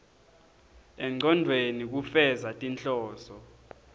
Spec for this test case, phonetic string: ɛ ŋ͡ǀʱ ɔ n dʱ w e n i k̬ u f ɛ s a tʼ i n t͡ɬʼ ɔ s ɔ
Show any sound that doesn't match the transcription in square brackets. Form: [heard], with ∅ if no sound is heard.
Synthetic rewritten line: ɛ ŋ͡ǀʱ ɔ n dʱ w e n i k̬ u f ɛ [z] a tʼ i n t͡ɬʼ [ɔː] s ɔ